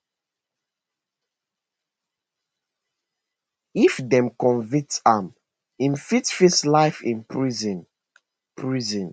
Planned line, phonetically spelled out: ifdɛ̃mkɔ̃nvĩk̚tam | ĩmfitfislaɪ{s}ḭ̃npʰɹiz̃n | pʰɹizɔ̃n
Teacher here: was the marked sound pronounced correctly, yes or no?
no